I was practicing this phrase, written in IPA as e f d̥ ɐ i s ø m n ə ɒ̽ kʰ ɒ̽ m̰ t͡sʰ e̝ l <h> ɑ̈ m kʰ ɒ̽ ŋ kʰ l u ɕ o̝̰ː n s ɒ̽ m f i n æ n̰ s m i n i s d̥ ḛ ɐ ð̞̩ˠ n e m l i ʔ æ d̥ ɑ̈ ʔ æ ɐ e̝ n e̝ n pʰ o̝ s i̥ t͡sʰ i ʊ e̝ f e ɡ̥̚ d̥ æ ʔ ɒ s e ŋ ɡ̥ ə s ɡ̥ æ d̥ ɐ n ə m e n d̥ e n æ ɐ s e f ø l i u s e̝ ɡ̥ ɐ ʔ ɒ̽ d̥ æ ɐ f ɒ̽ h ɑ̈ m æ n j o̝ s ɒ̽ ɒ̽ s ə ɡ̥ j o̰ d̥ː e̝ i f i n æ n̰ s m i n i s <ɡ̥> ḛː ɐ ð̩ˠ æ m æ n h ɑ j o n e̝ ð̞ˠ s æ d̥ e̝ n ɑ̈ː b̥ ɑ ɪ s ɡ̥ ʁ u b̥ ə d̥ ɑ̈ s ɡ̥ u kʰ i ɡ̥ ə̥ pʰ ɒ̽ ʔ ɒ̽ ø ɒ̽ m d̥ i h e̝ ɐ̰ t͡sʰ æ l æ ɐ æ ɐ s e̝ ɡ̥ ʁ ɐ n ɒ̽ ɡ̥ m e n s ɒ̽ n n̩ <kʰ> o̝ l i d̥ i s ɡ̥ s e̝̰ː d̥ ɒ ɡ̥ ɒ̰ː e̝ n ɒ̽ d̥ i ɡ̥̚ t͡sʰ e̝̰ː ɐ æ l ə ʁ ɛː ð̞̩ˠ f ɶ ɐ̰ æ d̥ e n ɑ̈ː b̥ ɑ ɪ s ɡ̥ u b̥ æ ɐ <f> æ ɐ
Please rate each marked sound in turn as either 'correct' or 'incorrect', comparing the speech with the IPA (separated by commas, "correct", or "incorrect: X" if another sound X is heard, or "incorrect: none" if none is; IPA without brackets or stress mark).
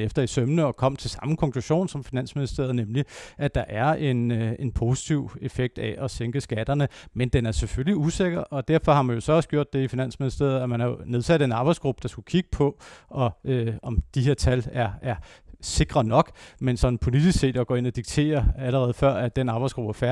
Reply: incorrect: s, incorrect: d̥, incorrect: pʰ, correct